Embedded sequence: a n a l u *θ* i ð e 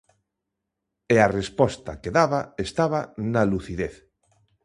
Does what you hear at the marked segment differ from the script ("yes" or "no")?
no